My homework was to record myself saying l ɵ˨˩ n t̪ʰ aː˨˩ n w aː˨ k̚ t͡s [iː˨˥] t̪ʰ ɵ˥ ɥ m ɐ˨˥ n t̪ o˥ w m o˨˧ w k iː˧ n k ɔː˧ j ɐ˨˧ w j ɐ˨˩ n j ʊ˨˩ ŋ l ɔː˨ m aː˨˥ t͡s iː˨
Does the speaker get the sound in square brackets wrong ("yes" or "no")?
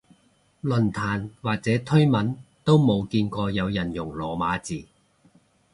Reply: yes